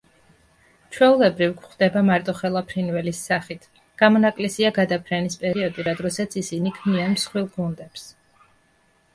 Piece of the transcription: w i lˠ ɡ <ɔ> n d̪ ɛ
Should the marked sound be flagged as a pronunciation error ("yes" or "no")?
yes